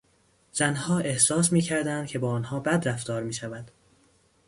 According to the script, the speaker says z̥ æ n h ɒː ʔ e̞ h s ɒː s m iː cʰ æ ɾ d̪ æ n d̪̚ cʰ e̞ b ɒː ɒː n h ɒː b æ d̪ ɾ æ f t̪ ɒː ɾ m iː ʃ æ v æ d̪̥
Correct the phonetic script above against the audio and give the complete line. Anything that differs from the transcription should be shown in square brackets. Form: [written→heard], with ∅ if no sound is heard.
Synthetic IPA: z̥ æ n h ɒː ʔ e̞ h s ɒː s m iː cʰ æ ɾ d̪ æ n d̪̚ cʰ e̞ b ɒː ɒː n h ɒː b æ d̪ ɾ æ f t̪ ɒː ɾ m iː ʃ æ v æ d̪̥